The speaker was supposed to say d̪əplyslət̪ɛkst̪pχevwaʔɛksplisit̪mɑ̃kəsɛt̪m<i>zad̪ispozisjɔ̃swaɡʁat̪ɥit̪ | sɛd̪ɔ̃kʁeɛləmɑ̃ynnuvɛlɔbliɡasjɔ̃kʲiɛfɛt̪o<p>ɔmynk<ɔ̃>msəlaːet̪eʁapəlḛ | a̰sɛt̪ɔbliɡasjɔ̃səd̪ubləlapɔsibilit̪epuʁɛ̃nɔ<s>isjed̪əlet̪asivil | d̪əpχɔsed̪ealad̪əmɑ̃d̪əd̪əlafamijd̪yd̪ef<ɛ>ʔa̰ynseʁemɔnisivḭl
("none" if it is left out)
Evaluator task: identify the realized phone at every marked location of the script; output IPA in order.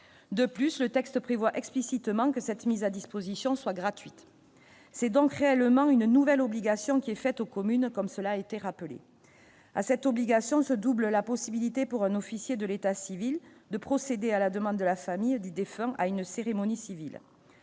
i, k, ɔ, f, ɛ̃

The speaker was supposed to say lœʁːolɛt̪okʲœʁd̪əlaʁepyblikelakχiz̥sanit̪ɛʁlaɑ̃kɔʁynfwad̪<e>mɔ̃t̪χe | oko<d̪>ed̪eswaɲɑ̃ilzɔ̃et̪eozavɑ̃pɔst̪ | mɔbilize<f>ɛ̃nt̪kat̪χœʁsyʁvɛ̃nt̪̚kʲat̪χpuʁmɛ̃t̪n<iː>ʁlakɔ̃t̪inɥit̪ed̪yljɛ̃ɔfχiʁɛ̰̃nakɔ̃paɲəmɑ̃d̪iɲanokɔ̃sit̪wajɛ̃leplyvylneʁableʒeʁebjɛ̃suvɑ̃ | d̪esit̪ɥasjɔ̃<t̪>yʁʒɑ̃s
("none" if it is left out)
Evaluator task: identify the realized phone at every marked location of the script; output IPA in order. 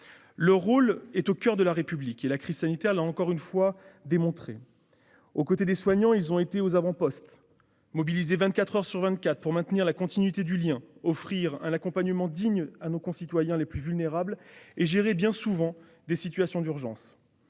e, t̪, v, i, d̪

